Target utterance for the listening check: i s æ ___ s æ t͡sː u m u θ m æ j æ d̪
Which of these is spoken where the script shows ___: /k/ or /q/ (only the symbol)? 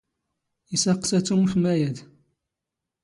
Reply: q